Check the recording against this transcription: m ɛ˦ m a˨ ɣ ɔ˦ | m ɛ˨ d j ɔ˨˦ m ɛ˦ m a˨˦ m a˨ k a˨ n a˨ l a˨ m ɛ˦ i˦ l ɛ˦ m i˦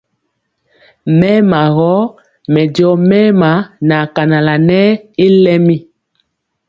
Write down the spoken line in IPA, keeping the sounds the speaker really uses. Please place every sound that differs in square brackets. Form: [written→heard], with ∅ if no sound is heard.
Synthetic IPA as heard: m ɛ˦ m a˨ ɣ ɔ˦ | m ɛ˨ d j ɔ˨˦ m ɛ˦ m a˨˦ [m→n] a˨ k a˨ n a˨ l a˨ [m→n] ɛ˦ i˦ l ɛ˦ m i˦